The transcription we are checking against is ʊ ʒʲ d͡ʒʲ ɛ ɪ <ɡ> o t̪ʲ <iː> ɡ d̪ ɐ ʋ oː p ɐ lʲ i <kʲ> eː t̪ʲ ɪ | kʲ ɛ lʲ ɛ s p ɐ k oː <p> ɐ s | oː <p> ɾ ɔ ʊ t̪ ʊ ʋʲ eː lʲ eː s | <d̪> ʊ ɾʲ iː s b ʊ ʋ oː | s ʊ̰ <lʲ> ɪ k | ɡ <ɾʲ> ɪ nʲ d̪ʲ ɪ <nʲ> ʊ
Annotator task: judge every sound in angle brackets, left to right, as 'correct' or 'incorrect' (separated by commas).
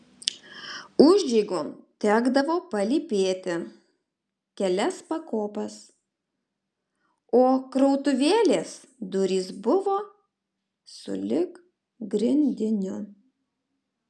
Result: correct, incorrect, incorrect, correct, incorrect, correct, correct, correct, correct